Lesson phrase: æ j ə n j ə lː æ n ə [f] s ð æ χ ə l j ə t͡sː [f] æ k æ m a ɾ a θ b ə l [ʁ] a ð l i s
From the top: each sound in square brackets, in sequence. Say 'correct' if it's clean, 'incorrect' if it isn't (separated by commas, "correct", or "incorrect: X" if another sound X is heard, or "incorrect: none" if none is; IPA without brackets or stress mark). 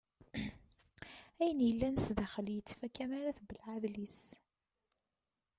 incorrect: none, correct, incorrect: ʕ